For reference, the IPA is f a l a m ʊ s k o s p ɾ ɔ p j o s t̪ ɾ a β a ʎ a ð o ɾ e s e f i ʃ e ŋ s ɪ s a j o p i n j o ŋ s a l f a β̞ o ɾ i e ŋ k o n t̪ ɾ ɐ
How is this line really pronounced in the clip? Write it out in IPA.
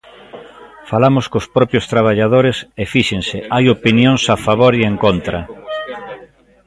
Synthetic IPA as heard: f a l a m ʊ s k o s p ɾ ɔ p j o s t̪ ɾ a β a ʎ a ð o ɾ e s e f i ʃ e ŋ s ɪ a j o p i n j o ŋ s a f a β̞ o ɾ i e ŋ k o n t̪ ɾ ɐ